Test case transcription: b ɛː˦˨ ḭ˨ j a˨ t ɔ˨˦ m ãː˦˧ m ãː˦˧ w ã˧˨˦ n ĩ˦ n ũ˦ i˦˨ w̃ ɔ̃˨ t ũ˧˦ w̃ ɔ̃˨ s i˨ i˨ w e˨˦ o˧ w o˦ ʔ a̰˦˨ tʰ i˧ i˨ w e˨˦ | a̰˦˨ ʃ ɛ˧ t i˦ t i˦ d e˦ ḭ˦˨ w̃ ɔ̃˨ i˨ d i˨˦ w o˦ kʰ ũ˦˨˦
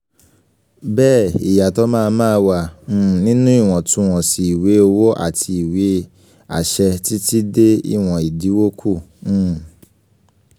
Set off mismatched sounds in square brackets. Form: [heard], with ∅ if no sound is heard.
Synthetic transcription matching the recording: b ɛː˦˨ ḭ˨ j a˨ t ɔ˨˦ m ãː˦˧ m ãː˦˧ w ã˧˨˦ n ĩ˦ n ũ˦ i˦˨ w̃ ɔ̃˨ t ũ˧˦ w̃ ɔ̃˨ s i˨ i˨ w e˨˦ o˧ w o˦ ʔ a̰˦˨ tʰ i˧ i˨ w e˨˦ | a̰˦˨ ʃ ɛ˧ t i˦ t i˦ d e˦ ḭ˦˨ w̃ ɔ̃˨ i˨ d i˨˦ w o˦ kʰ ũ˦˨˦